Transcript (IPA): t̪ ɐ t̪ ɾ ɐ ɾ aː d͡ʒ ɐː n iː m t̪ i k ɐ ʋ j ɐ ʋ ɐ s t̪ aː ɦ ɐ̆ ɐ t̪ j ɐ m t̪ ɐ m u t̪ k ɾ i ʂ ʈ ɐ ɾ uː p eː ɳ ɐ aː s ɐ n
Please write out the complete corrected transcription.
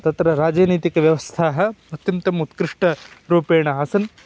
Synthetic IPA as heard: t̪ ɐ t̪ ɾ ɐ ɾ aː d͡ʒ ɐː n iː t̪ i k ɐ ʋ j ɐ ʋ ɐ s t̪ʰ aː ɦ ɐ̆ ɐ t̪ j ɐ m t̪ ɐ m u t̪ k ɾ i ʂ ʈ ɐ ɾ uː p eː ɳ ɐ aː s ɐ n